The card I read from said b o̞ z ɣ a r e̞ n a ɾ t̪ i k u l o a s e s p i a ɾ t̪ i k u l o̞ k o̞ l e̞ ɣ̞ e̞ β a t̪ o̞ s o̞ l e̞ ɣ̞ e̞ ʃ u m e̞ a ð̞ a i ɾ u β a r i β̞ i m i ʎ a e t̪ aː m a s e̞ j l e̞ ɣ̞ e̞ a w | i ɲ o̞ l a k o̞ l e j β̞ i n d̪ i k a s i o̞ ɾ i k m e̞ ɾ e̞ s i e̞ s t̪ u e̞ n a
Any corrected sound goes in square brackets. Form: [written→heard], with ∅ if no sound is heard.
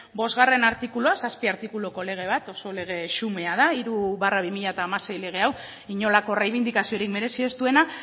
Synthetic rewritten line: b o̞ z ɣ a r e̞ n a ɾ t̪ i k u l o a s [e→a] s p i a ɾ t̪ i k u l o̞ k o̞ l e̞ ɣ̞ e̞ β a t̪ o̞ s o̞ l e̞ ɣ̞ e̞ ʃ u m e̞ a ð̞ a i ɾ u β a r [i→a] β̞ i m i ʎ a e t̪ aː m a s e̞ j l e̞ ɣ̞ e̞ a w | i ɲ o̞ l a k o̞ [l→r] e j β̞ i n d̪ i k a s i o̞ ɾ i k m e̞ ɾ e̞ s i e̞ s t̪ u e̞ n a